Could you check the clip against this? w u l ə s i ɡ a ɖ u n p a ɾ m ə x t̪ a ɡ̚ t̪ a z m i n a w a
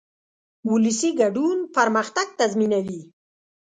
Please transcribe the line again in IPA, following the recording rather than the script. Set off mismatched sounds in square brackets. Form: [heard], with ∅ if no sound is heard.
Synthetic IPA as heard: w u l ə s i ɡ a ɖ u n p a ɾ m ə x t̪ a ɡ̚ t̪ a z m i n a w [i]